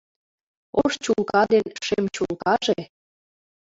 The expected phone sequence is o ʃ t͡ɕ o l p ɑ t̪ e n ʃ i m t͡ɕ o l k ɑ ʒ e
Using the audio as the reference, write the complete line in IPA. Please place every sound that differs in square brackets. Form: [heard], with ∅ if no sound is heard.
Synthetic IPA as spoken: o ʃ t͡ɕ [u] l [k] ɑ [d̪] e n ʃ [e] m t͡ɕ [u] l k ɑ ʒ e